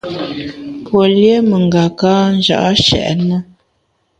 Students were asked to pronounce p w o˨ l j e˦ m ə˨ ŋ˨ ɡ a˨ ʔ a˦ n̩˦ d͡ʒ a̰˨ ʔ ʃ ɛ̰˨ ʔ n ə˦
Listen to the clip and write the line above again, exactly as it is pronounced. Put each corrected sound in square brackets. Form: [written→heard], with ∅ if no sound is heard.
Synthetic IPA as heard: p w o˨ l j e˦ m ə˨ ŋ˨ ɡ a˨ [ʔ→k] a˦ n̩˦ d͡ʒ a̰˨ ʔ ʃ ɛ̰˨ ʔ n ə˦